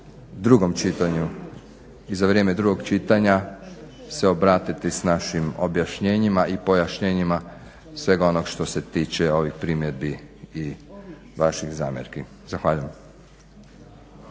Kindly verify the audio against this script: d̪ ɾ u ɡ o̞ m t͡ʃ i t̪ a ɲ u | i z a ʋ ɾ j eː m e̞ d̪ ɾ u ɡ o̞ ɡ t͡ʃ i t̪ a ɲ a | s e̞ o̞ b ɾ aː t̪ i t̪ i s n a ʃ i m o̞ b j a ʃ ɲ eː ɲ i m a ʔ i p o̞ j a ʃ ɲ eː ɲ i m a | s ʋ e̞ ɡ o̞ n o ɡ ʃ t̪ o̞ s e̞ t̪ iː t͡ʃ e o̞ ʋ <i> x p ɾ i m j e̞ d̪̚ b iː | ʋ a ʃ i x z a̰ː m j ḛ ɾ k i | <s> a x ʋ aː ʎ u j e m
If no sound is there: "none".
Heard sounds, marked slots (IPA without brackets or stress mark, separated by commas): i, z